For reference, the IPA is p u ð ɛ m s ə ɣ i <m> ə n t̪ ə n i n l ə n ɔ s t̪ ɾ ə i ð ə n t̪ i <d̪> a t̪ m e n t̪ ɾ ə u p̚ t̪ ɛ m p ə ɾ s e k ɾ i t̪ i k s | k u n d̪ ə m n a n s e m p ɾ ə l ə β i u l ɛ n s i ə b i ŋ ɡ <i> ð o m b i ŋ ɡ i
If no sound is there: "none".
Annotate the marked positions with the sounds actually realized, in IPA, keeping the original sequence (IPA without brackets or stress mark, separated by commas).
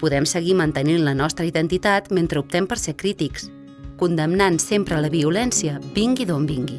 m, t̪, i